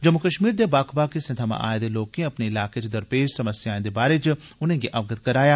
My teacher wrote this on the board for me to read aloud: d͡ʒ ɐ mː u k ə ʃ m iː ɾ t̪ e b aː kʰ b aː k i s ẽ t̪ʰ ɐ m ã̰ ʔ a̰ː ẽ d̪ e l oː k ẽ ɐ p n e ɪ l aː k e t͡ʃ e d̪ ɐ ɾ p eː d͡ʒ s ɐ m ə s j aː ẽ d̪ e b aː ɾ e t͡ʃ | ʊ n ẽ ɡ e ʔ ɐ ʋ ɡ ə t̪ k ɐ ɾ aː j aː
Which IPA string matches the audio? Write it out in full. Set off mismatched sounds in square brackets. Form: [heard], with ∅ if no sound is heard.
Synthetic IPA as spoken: d͡ʒ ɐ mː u k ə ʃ m iː ɾ [d̪] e b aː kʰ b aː k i s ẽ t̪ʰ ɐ m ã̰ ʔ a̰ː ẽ d̪ e l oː k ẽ ɐ p n e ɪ l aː k e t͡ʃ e d̪ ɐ ɾ p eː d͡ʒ s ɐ m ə s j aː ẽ d̪ e b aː ɾ e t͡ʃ | ʊ n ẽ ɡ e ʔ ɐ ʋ ɡ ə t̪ k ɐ ɾ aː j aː